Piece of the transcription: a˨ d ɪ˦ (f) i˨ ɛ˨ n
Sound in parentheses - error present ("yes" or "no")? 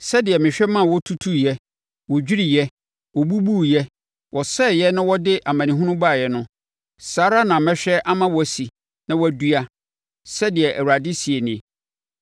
yes